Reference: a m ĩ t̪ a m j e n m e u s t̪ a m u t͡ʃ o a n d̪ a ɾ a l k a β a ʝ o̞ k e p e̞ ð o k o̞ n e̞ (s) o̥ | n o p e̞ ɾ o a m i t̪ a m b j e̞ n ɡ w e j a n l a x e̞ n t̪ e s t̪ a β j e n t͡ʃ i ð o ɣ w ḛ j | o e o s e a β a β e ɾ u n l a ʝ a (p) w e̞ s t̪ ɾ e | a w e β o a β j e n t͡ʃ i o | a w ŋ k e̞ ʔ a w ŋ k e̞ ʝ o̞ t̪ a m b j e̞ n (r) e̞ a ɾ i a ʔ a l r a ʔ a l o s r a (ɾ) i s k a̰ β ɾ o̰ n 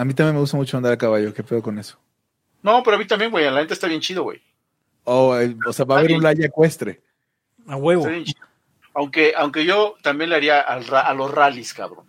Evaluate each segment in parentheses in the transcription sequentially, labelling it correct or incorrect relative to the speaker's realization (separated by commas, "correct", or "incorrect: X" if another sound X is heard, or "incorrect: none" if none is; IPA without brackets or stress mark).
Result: correct, incorrect: k, incorrect: l, incorrect: l